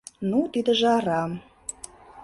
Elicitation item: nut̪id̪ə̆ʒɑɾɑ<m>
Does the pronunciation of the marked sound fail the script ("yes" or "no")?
no